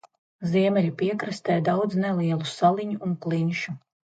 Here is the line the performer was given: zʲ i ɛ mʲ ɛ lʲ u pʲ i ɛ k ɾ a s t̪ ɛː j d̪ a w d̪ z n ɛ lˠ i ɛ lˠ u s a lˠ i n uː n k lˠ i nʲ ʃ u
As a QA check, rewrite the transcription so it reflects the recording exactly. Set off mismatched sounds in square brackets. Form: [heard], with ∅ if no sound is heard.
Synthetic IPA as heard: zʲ i ɛ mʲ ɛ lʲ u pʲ i ɛ k ɾ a s t̪ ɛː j d̪ a w d̪ z n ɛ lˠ i ɛ lˠ u s a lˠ i [ɲ] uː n k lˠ i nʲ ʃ u

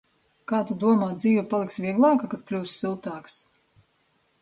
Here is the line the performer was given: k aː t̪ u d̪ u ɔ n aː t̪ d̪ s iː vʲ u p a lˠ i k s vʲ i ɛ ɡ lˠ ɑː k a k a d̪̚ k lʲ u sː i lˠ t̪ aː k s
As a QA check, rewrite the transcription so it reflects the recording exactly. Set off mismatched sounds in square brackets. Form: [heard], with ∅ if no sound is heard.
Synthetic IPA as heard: k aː t̪ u d̪ u ɔ [m] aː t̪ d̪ [z] iː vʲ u p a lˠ i k s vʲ i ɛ ɡ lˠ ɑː k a k a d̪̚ k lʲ [uː] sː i lˠ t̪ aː k s

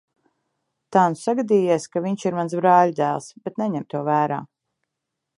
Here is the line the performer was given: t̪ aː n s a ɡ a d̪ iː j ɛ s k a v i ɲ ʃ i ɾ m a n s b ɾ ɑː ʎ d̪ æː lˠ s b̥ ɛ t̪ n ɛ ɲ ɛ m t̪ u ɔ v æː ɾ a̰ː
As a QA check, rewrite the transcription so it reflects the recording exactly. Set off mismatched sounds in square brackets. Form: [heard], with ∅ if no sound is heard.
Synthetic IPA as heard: t̪ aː n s a ɡ a d̪ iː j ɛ s k a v i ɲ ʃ i ɾ m a n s b ɾ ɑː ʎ d̪ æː lˠ s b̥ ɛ t̪ n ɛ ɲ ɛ m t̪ u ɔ v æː ɾ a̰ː

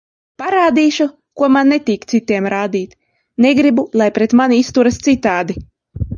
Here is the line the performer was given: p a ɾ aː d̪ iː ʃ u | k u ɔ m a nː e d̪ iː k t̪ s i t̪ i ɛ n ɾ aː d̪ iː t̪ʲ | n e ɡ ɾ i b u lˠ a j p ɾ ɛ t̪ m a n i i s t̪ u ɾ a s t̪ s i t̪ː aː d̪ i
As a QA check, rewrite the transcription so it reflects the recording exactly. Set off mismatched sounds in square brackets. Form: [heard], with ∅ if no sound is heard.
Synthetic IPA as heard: p a ɾ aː d̪ iː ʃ u | k u ɔ m a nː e [t̪] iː k t̪ s i t̪ i ɛ [m] ɾ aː d̪ iː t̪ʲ | n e ɡ ɾ i b u lˠ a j p ɾ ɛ t̪ m a n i i s t̪ u ɾ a s t̪ s i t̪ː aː d̪ i

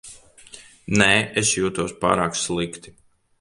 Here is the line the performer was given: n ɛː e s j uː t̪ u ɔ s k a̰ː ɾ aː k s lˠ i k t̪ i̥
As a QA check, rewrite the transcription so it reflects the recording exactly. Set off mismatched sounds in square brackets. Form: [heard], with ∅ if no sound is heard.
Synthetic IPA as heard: n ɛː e s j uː t̪ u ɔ s [p] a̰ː ɾ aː k s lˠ i k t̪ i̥

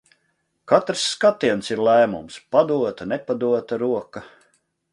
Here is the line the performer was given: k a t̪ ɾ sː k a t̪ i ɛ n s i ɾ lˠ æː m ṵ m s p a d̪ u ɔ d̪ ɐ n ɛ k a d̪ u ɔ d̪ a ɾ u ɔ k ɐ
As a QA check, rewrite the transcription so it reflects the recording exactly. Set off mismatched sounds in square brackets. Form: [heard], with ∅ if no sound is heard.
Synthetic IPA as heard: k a t̪ ɾ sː k a t̪ i ɛ n s i ɾ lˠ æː m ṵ m s p a d̪ u ɔ [t̪] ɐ n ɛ [p] a d̪ u ɔ [t̪] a ɾ u ɔ k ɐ

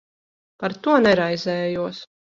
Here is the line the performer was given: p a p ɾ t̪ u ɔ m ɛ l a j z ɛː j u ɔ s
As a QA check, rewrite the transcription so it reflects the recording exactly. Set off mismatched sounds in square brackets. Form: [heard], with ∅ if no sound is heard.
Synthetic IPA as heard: p a [∅] ɾ t̪ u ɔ [n] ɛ [ɾ] a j z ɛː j u ɔ s

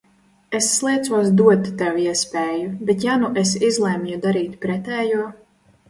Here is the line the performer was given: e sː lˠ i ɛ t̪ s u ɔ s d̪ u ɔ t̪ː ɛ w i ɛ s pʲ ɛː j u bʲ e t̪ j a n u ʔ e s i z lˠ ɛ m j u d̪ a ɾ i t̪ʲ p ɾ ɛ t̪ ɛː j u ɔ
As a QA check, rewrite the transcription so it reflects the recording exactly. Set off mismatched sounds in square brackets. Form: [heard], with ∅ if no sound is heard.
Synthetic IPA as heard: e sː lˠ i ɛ t̪ s u ɔ s d̪ u ɔ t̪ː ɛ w i ɛ s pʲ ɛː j u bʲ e t̪ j a n u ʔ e s i z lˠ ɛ m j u d̪ a ɾ [iː] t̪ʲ p ɾ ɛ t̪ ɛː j u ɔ

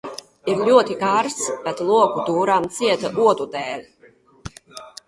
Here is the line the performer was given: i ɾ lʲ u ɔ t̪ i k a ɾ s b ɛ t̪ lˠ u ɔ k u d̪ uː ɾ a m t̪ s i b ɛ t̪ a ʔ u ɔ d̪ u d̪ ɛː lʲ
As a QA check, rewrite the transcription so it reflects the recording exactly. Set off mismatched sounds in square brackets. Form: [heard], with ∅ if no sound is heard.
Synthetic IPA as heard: i ɾ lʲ u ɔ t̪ i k a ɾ s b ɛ t̪ lˠ u ɔ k u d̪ uː ɾ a m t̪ s i [∅] ɛ t̪ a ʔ u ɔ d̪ u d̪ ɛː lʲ

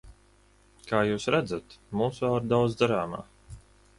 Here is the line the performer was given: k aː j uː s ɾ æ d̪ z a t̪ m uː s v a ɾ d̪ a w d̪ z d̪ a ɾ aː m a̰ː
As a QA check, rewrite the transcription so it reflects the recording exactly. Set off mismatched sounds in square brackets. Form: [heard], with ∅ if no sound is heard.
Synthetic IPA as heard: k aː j uː s ɾ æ d̪ z a t̪ m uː s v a ɾ d̪ a w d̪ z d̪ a ɾ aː m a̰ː

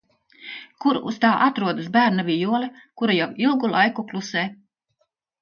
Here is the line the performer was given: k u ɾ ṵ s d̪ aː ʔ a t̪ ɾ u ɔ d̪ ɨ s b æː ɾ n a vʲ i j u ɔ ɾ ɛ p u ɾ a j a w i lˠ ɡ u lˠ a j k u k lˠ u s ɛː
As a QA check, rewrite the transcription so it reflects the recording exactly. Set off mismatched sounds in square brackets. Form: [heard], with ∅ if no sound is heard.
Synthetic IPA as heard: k u ɾ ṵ s [t̪] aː ʔ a t̪ ɾ u ɔ d̪ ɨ s b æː ɾ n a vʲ i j u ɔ [l] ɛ [k] u ɾ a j a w i lˠ ɡ u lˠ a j k u k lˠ u s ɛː

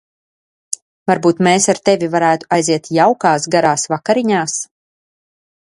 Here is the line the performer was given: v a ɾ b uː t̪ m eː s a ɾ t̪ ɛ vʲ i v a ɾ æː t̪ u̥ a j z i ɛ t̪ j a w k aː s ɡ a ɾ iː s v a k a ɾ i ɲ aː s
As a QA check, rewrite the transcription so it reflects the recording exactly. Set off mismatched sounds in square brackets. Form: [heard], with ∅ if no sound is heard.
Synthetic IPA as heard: v a ɾ b uː t̪ m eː s a ɾ t̪ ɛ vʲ i v a ɾ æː t̪ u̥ a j z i ɛ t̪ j a w k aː s ɡ a ɾ [aː] s v a k a ɾ i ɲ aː s

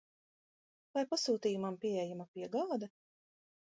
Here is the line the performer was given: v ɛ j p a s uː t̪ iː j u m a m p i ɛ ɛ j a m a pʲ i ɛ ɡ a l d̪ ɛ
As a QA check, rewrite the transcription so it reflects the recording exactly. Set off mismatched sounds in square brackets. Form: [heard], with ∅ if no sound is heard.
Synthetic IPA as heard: v [a] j p a s uː t̪ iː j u m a m p i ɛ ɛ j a m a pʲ i ɛ ɡ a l d̪ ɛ

